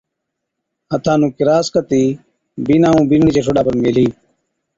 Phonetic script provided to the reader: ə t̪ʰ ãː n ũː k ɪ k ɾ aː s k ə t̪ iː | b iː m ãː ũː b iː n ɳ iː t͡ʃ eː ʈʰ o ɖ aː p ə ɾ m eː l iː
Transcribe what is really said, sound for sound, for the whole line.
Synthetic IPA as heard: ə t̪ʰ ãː n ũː k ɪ ɾ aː s k ə t̪ iː | b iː n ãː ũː b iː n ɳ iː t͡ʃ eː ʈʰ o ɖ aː p ə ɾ m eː l iː